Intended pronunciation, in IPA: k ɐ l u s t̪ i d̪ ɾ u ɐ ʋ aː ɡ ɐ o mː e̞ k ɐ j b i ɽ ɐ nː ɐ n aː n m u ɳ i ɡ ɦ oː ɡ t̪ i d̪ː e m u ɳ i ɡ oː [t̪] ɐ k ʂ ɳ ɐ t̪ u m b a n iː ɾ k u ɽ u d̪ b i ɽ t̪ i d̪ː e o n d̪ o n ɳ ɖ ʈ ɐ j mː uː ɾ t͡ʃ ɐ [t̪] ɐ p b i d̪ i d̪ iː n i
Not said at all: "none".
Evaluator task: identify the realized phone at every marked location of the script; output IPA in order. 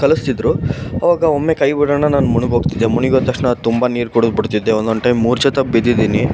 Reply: t̪, t̪

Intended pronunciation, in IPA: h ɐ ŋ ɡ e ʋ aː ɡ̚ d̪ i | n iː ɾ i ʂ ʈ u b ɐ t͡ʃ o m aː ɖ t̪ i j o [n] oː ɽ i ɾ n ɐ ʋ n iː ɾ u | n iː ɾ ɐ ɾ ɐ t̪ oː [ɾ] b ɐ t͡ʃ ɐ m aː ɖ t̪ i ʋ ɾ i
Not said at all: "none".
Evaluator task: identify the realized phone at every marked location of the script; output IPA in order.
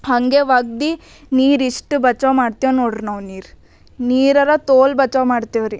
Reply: n, l

